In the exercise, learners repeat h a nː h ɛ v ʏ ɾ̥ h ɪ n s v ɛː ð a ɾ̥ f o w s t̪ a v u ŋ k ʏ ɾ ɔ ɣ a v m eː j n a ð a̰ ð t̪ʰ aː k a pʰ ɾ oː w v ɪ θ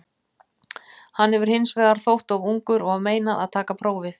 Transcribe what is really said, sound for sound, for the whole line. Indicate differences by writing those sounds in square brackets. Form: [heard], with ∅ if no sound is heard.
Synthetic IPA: h a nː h ɛ v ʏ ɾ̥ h ɪ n s v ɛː ð a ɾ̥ [θ] o w [h] t̪ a v u ŋ k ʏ ɾ ɔ ɣ a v m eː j n a ð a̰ ð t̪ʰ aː k a pʰ ɾ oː w v ɪ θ